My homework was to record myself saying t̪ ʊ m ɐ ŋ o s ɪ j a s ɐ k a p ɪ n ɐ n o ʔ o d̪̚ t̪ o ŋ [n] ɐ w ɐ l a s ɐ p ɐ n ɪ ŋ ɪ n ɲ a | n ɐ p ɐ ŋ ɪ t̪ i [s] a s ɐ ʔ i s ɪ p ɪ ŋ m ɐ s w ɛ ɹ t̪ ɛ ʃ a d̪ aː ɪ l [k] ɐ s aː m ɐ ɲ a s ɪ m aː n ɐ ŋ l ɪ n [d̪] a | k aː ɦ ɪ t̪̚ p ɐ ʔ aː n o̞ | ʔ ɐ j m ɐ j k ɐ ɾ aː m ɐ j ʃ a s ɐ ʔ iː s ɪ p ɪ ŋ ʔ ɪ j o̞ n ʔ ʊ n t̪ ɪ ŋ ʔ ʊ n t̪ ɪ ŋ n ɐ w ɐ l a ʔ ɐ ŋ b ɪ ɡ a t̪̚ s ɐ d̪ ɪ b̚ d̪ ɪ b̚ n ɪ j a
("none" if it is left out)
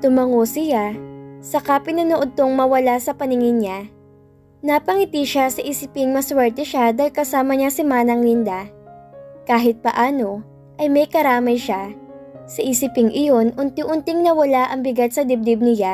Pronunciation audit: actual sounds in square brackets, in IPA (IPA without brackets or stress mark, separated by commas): m, ʃ, k, d̪